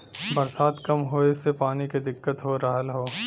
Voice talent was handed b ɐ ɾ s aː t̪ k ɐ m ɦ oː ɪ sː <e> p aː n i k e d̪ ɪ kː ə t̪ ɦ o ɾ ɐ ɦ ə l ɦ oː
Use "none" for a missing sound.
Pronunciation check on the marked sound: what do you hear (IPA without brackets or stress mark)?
e